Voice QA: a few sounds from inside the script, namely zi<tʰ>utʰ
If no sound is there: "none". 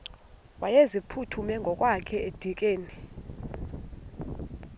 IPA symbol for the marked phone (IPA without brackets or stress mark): pʰ